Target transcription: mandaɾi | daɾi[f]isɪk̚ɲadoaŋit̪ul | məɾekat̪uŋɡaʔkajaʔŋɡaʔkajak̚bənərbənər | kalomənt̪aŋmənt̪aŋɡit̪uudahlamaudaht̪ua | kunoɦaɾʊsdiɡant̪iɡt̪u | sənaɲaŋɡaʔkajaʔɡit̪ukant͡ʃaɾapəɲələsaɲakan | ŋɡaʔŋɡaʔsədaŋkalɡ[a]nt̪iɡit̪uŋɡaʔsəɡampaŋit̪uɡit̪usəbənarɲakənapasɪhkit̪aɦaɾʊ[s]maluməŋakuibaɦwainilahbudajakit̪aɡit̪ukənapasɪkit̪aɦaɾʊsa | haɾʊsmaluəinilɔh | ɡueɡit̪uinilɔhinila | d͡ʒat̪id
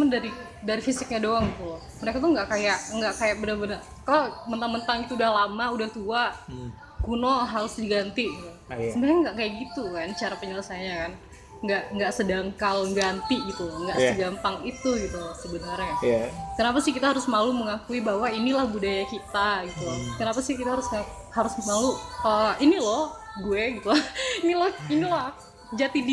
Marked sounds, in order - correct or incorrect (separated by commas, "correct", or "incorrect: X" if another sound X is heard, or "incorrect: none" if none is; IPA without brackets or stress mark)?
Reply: correct, correct, correct